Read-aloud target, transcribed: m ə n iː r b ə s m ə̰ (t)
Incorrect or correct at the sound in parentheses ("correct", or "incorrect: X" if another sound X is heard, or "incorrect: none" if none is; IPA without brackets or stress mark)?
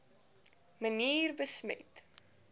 correct